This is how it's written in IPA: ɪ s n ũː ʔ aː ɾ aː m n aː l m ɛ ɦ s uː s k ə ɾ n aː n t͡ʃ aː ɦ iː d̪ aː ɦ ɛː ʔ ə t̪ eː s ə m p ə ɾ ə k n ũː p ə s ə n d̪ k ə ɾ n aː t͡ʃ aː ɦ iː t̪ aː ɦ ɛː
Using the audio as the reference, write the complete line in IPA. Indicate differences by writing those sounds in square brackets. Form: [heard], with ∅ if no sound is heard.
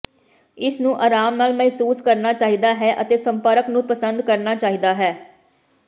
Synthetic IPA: ɪ s n ũː ʔ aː ɾ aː m n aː l m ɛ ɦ s uː s k ə ɾ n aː [∅] t͡ʃ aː ɦ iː d̪ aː ɦ ɛː ʔ ə t̪ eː s ə m p ə ɾ ə k n ũː p ə s ə n d̪ k ə ɾ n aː t͡ʃ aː ɦ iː [d̪] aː ɦ ɛː